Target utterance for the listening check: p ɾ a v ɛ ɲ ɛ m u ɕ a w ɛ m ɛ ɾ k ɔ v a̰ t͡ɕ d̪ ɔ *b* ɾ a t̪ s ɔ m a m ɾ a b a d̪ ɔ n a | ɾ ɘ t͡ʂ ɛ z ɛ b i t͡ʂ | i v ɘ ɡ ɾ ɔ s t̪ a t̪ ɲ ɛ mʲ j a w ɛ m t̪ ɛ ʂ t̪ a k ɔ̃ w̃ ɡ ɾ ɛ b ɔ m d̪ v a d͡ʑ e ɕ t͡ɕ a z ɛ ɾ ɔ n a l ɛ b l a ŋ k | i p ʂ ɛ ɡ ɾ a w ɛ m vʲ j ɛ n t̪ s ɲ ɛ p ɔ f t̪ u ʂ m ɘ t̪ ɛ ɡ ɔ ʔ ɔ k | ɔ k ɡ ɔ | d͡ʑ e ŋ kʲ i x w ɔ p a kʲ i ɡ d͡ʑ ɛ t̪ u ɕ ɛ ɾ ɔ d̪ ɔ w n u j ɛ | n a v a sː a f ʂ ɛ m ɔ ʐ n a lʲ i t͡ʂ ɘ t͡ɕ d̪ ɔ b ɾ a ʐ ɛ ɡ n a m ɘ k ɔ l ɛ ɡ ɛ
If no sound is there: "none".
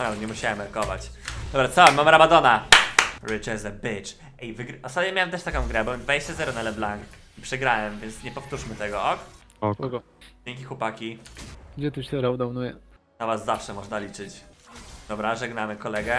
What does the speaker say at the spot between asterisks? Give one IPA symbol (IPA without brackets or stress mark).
b